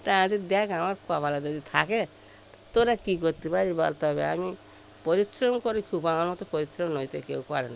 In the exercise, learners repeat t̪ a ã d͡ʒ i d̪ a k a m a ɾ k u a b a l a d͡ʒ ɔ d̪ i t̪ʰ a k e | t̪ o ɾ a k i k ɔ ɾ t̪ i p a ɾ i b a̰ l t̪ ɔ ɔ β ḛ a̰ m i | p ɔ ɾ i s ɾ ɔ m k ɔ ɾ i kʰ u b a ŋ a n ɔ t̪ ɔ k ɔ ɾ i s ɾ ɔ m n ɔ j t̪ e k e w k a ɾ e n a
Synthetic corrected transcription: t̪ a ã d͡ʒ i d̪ a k a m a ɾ k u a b a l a d͡ʒ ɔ d̪ i t̪ʰ a k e | t̪ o ɾ a k i k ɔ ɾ t̪ i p a ɾ i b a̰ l t̪ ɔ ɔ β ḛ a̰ m i | p ɔ ɾ i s ɾ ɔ m k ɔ ɾ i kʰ u b a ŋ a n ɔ t̪ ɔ p ɔ ɾ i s ɾ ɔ m n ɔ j t̪ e k e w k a ɾ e n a